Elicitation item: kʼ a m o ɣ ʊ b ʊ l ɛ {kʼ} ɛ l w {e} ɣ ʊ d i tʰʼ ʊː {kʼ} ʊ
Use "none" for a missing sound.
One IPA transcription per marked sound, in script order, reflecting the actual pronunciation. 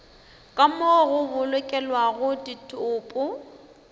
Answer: kʼ, a, pʼ

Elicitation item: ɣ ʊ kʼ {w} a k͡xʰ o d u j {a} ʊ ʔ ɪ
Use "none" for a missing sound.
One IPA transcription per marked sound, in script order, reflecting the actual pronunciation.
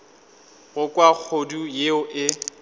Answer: w, e

